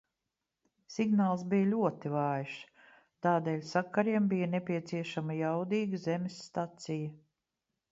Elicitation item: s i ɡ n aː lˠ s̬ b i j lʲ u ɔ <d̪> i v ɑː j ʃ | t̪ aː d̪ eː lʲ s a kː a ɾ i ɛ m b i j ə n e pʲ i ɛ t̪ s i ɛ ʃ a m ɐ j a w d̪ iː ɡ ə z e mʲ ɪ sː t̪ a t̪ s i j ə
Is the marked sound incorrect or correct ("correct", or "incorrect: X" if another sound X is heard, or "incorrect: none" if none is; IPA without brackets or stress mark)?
incorrect: t̪